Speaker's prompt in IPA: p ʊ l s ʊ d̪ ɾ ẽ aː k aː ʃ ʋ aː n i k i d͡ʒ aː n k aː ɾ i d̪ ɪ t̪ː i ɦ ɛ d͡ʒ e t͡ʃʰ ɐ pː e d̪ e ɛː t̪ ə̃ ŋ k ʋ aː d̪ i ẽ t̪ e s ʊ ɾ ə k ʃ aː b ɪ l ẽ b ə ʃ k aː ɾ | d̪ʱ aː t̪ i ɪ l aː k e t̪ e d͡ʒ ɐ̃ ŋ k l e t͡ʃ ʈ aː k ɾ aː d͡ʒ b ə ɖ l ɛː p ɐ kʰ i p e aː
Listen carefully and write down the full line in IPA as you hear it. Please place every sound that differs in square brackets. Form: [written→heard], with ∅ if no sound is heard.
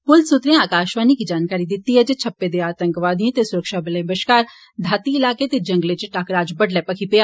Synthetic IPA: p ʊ l s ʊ [d̪→t̪] ɾ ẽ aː k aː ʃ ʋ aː n i k i d͡ʒ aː n k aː ɾ i d̪ ɪ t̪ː i ɦ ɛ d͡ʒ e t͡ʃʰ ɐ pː e d̪ e [ɛː→aː] t̪ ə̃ ŋ k ʋ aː d̪ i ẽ t̪ e s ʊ ɾ ə k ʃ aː b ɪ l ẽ b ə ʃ k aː ɾ | d̪ʱ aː t̪ i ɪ l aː k e t̪ e d͡ʒ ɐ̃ ŋ [k→ɡ] l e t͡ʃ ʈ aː k ɾ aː d͡ʒ b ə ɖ l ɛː p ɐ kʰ i p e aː

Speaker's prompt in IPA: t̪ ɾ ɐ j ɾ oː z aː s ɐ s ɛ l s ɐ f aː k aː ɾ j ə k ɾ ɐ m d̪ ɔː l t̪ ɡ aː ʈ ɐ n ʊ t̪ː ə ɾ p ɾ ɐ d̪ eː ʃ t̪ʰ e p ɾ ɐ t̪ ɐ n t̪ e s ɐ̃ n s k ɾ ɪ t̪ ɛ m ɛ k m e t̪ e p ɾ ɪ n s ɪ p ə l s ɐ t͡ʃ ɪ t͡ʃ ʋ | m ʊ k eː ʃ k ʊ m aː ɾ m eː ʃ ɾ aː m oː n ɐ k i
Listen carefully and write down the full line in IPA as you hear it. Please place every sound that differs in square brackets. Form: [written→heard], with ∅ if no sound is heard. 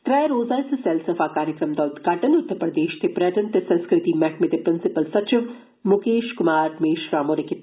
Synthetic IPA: t̪ ɾ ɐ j ɾ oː z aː s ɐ s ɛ l s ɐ f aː k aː ɾ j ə k ɾ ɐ m d̪ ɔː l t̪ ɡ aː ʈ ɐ n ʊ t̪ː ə ɾ p ɾ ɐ d̪ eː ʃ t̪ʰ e p ɾ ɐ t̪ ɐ n t̪ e s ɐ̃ n s k ɾ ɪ t̪ [ɛ→i] m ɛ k m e t̪ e p ɾ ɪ n s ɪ p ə l s ɐ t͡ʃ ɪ [t͡ʃ→∅] ʋ | m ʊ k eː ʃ k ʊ m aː ɾ m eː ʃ ɾ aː m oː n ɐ k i

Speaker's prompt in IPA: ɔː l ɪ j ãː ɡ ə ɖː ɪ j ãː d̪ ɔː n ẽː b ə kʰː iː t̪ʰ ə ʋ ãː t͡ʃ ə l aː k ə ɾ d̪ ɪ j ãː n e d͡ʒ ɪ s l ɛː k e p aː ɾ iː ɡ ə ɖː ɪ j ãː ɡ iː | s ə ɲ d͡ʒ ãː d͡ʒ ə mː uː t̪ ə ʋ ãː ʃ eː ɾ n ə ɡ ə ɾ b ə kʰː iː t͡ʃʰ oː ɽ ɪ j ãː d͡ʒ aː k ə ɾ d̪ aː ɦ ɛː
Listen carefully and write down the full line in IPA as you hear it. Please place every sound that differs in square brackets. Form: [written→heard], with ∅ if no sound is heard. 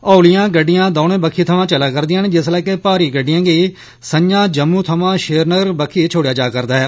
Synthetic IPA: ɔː l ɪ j ãː ɡ ə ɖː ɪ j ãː d̪ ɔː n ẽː b ə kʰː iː t̪ʰ ə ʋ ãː t͡ʃ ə l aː k ə ɾ d̪ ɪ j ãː n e d͡ʒ ɪ s l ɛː k e p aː ɾ iː ɡ ə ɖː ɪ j ãː ɡ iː | s ə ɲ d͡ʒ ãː d͡ʒ ə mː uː [t̪→t̪ʰ] ə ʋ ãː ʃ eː ɾ n ə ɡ ə ɾ b ə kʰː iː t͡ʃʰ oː ɽ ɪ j [ãː→aː] d͡ʒ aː k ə ɾ d̪ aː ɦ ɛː

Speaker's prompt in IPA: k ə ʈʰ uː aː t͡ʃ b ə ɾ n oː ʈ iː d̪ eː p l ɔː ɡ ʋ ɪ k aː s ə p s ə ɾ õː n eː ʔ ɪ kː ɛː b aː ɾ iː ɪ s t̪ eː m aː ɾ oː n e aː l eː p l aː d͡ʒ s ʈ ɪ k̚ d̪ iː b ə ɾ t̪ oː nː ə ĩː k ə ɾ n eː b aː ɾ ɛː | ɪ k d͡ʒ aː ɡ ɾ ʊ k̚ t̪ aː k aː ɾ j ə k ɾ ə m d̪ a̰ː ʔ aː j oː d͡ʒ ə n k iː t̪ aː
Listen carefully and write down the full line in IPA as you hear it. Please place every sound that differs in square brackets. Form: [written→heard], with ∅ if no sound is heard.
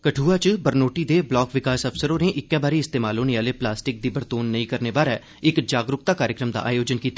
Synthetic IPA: k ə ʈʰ uː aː t͡ʃ b ə ɾ n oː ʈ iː d̪ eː [p→b] l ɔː [ɡ→k] ʋ ɪ k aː s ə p s ə ɾ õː n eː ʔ ɪ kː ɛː b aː ɾ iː ɪ s t̪ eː m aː [ɾ→l] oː n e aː l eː p l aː [d͡ʒ→∅] s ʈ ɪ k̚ d̪ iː b ə ɾ t̪ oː nː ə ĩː k ə ɾ n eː b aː ɾ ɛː | ɪ k d͡ʒ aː ɡ ɾ ʊ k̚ t̪ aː k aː ɾ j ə k ɾ ə m d̪ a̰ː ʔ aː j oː d͡ʒ ə n k iː t̪ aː

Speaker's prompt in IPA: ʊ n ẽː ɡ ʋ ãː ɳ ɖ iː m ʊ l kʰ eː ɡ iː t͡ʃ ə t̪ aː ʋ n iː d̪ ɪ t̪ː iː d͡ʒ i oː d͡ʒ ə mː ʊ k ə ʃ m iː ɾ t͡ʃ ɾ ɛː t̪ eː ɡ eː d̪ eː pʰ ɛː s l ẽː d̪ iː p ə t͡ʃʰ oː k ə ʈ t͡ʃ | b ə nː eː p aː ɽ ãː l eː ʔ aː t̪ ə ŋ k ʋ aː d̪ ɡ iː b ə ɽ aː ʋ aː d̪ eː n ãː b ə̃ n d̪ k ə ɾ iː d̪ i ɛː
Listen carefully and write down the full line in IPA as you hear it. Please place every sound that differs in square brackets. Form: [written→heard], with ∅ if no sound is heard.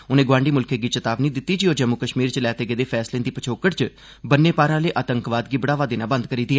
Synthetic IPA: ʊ n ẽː ɡ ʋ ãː ɳ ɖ iː m ʊ l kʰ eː ɡ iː t͡ʃ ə t̪ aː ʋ n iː d̪ ɪ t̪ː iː d͡ʒ i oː d͡ʒ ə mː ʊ k ə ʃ m iː ɾ t͡ʃ [ɾ→l] ɛː t̪ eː ɡ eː d̪ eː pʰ ɛː s l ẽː d̪ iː p ə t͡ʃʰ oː k ə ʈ t͡ʃ | b ə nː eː p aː [ɽ→ɾ] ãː l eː ʔ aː t̪ ə ŋ k ʋ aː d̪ ɡ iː b ə ɽ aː ʋ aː d̪ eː n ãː b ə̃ n d̪ k ə ɾ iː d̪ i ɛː

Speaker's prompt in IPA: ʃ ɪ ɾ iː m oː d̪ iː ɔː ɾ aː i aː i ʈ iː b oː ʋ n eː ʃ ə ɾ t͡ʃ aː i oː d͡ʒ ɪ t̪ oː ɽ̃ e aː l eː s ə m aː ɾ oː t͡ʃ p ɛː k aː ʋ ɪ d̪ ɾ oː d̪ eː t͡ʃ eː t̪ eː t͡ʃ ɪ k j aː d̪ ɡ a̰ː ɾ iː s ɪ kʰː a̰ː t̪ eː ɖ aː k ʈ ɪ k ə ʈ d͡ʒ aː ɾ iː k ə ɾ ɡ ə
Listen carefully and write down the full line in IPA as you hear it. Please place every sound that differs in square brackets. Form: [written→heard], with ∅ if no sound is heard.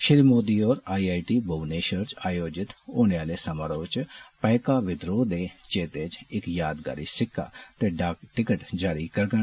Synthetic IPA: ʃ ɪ ɾ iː m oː d̪ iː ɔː ɾ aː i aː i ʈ iː b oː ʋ n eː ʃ ə ɾ t͡ʃ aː [i→j] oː d͡ʒ ɪ t̪ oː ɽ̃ e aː l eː s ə m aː ɾ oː t͡ʃ p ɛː k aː ʋ ɪ d̪ ɾ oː d̪ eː t͡ʃ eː t̪ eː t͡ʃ ɪ k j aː d̪ ɡ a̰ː ɾ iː s ɪ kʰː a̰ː t̪ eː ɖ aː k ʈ ɪ k ə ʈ d͡ʒ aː ɾ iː k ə ɾ ɡ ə

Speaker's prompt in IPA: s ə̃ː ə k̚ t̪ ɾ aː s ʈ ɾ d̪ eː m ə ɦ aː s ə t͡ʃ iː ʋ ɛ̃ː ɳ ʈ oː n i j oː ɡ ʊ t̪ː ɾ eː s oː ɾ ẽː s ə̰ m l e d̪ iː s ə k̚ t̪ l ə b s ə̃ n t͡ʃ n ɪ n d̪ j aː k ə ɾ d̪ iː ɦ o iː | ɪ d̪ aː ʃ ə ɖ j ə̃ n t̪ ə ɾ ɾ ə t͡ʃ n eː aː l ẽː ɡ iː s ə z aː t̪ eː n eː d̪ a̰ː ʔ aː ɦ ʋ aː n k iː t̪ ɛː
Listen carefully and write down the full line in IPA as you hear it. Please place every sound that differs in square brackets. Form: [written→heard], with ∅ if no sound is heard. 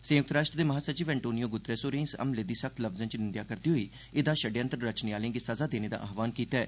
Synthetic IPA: s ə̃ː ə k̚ t̪ ɾ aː [s→ʃ] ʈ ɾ d̪ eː m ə ɦ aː s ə t͡ʃ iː ʋ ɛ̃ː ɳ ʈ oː n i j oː ɡ ʊ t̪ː ɾ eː s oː ɾ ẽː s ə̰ m l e d̪ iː s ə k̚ t̪ l ə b [s→z] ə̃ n t͡ʃ n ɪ n d̪ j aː k ə ɾ d̪ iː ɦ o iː | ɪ d̪ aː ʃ ə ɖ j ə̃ n t̪ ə ɾ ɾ ə t͡ʃ n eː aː l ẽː ɡ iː s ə z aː [t̪→d̪] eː n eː d̪ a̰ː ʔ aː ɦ ʋ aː n k iː t̪ ɛː

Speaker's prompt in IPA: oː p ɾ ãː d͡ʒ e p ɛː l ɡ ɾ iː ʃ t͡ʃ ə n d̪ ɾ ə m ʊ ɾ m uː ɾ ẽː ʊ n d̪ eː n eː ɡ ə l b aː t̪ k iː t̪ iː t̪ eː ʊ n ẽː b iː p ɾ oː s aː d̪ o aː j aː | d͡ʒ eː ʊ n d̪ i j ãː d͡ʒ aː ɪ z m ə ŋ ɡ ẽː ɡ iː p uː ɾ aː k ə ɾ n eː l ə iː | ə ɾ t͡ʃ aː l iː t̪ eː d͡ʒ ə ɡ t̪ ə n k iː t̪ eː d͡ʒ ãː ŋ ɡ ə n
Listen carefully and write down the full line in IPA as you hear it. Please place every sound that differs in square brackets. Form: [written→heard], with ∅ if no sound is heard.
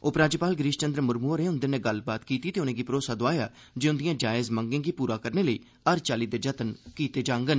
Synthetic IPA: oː p ɾ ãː d͡ʒ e p [ɛː→aː] l ɡ ɾ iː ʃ t͡ʃ ə n d̪ ɾ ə m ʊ ɾ m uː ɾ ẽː ʊ n d̪ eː n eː ɡ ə l b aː t̪ k iː t̪ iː t̪ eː ʊ n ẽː [b→ɡ] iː p ɾ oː s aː d̪ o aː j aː | d͡ʒ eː ʊ n d̪ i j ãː d͡ʒ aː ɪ z m ə ŋ ɡ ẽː ɡ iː p uː ɾ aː k ə ɾ n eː l ə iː | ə ɾ t͡ʃ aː l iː [t̪→d̪] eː d͡ʒ ə [ɡ→∅] t̪ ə n k iː t̪ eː d͡ʒ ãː ŋ ɡ ə n

